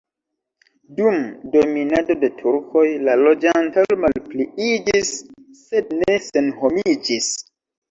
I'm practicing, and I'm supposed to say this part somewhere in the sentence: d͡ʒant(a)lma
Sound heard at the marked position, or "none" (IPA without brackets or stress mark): a